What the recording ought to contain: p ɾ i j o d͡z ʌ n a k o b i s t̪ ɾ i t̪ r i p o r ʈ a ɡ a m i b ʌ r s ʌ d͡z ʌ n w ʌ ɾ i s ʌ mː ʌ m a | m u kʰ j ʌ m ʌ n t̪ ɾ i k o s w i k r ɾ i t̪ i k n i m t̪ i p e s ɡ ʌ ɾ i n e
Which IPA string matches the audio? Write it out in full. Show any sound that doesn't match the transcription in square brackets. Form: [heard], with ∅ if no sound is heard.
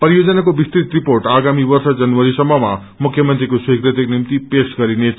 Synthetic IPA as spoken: p ɾ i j o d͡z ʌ n a k o b i s t̪ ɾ i t̪ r i p o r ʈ a ɡ a m i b ʌ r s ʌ d͡z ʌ n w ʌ ɾ i s ʌ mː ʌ m a | m u kʰ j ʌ m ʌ n t̪ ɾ i k o s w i k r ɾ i t̪ i k n i m t̪ i p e s ɡ ʌ ɾ i n e